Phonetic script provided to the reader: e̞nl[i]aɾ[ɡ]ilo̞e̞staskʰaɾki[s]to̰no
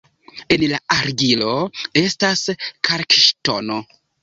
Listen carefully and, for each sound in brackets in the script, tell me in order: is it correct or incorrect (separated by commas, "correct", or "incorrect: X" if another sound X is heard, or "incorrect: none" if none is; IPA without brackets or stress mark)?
incorrect: a, correct, incorrect: ʃ